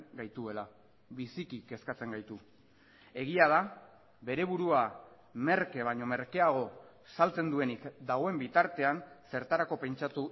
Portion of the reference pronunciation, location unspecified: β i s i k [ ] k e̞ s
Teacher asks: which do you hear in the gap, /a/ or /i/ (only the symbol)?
i